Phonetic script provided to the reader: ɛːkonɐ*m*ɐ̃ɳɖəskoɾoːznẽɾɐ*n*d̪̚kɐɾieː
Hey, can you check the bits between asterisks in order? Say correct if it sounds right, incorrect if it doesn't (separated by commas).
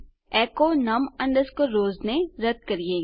correct, incorrect